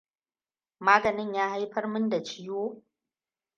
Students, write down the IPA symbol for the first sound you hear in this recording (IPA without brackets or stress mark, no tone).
m